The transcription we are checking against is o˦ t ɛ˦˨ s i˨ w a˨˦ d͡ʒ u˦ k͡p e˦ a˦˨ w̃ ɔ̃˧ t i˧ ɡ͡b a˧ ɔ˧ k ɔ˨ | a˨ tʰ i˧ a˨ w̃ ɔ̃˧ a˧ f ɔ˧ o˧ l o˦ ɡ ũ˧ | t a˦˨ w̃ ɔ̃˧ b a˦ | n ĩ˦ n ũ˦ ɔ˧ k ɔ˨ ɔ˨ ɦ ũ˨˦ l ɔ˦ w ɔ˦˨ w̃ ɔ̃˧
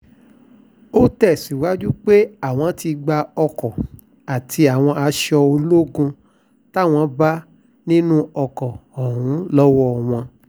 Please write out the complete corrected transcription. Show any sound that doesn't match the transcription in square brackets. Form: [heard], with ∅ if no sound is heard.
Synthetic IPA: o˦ t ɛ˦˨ s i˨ w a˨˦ d͡ʒ u˦ k͡p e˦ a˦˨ w̃ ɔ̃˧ t i˧ ɡ͡b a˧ ɔ˧ k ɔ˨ | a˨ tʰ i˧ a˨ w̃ ɔ̃˧ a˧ [ʃ] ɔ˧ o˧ l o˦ ɡ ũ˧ | t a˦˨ w̃ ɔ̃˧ b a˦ | n ĩ˦ n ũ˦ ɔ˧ k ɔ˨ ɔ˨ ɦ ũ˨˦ l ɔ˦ w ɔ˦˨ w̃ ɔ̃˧